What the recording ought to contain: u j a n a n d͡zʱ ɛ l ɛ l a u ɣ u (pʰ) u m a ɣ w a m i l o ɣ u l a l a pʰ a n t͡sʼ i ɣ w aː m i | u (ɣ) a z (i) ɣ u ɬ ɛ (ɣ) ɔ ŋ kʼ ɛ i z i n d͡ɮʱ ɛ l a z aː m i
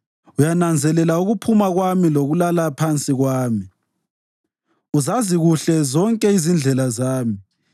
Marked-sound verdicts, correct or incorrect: correct, incorrect, correct, incorrect

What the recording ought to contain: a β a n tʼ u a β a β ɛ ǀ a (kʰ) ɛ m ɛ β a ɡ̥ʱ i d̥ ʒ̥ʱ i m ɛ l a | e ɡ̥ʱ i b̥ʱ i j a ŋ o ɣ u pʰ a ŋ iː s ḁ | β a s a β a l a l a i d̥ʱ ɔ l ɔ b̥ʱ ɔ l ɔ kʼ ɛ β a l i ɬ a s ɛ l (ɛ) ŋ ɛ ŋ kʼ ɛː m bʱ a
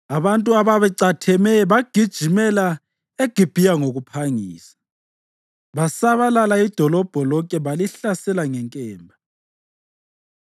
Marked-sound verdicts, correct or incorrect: incorrect, incorrect

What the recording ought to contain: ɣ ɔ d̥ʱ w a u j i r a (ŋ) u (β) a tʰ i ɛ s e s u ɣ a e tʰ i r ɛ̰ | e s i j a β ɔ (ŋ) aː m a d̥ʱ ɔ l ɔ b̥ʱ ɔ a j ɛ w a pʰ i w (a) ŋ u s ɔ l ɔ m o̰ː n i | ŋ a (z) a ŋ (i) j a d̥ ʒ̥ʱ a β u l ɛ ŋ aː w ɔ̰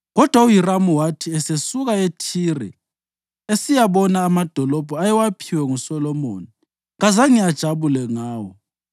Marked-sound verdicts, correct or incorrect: incorrect, incorrect, incorrect, incorrect, correct, correct

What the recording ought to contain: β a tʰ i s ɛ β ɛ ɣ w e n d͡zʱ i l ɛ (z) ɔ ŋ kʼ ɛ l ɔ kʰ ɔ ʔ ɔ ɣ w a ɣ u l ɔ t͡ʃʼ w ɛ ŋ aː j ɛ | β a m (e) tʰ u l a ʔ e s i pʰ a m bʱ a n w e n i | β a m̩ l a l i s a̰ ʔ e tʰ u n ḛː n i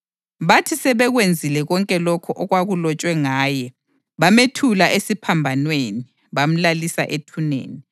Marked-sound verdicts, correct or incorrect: incorrect, correct

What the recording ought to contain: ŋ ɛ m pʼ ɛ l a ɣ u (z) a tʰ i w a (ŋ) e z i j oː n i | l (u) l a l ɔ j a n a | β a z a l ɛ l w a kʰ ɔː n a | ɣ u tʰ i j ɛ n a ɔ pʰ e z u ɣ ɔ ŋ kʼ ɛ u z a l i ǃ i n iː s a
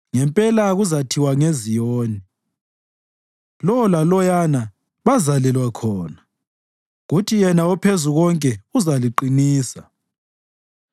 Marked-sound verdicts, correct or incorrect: correct, correct, incorrect

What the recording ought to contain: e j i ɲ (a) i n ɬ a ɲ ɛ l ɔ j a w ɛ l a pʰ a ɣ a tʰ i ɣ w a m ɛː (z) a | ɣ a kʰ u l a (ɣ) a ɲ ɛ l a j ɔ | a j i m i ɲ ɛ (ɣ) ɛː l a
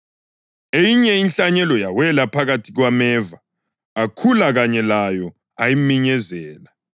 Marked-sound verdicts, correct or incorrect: incorrect, incorrect, correct, incorrect

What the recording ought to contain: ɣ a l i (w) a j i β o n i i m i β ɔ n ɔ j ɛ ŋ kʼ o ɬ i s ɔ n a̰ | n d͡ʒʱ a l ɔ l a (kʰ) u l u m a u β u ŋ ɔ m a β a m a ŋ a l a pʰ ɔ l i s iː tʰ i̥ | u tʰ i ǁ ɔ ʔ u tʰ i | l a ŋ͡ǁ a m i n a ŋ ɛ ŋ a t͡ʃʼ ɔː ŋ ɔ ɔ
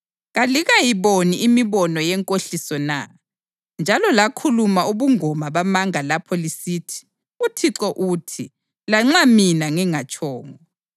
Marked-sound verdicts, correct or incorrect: incorrect, correct

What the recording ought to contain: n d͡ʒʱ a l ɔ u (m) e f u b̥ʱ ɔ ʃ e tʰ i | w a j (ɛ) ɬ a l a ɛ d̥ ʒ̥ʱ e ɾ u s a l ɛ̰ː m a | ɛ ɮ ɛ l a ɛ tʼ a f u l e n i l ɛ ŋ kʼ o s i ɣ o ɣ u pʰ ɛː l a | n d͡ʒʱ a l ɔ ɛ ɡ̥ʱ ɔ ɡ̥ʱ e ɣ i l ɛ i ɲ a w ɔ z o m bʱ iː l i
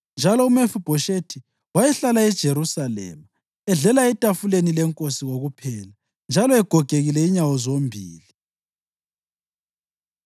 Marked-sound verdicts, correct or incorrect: correct, correct

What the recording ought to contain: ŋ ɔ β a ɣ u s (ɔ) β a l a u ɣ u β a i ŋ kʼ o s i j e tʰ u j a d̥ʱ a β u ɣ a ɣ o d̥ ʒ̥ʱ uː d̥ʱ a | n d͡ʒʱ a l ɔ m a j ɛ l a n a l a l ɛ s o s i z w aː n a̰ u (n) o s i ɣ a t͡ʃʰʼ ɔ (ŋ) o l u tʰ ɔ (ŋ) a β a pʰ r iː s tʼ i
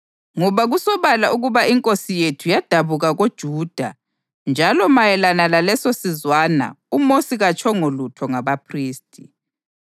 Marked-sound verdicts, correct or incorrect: correct, incorrect, correct, correct

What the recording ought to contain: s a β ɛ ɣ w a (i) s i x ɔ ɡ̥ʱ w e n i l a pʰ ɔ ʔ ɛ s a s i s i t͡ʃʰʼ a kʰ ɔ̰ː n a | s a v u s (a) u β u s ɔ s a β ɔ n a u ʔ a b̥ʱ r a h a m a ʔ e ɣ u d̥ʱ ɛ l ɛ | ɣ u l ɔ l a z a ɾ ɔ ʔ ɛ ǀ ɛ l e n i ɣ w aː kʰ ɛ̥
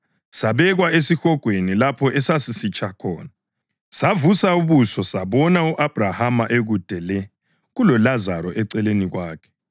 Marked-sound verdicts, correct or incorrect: incorrect, correct

